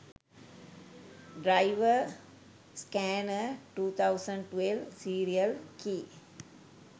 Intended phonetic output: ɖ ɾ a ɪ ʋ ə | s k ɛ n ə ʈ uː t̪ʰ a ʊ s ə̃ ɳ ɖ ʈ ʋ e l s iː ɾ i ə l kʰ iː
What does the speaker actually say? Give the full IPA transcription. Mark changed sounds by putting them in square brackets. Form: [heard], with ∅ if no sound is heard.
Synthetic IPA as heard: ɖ ɾ a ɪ ʋ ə | s k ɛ n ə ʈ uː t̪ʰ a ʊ s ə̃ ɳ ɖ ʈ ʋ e l s iː ɾ i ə l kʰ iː